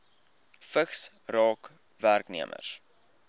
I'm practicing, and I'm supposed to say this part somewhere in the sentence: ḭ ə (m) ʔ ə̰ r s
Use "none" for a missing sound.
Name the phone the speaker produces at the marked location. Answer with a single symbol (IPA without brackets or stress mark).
m